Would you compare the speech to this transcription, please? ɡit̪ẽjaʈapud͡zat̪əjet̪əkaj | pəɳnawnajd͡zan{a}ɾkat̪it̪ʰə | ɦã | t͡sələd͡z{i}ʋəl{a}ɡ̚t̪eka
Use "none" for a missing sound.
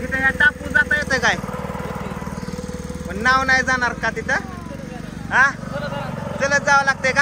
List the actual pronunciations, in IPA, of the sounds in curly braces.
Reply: a, a, a

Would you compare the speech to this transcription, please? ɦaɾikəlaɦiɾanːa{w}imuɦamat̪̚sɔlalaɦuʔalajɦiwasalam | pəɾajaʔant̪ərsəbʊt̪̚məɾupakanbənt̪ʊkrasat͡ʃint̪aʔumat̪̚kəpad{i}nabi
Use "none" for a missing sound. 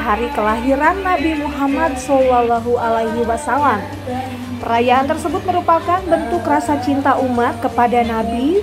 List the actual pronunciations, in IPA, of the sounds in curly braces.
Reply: b, a

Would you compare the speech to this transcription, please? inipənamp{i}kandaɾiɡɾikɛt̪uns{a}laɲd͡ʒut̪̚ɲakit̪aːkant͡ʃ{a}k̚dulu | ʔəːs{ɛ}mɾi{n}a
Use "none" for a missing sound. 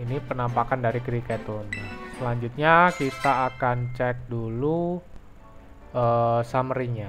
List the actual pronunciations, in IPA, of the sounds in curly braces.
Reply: a, ə, ɛ, a, ɲ

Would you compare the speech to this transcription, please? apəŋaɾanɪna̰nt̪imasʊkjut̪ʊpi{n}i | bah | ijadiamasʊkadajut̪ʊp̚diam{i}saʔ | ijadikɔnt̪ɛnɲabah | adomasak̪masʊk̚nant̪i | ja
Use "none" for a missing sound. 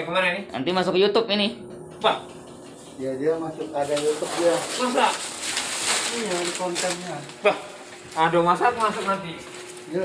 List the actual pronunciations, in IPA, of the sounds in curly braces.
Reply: n, a

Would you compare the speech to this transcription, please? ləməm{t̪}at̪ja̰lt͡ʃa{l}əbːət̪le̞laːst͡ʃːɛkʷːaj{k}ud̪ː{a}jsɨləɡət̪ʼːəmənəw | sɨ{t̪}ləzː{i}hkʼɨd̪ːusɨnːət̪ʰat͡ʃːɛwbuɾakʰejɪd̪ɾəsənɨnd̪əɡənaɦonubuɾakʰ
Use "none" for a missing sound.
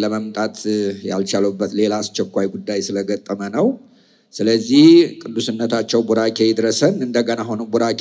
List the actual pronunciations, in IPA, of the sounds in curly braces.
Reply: t̪ʼ, l, ɡ, a, none, i

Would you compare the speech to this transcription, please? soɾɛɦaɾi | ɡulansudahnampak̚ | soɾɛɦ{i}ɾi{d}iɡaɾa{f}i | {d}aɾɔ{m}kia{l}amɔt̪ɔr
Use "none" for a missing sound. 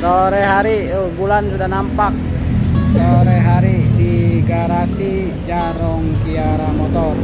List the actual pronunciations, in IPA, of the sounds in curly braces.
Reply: a, d, s, d͡ʒ, ŋ, ɾ

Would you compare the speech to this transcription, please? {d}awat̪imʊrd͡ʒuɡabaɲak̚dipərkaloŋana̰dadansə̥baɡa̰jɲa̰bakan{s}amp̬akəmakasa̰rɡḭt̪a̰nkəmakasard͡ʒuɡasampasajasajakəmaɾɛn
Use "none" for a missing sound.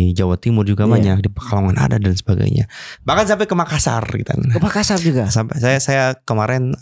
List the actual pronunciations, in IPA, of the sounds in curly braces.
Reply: d͡ʒ, s

